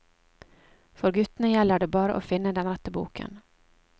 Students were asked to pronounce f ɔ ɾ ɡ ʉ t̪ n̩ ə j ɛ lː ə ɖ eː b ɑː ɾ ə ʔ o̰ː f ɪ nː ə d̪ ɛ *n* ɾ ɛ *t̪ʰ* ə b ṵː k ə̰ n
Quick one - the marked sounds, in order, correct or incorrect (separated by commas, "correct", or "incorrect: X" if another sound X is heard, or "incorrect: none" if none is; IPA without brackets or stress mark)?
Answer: correct, incorrect: t̪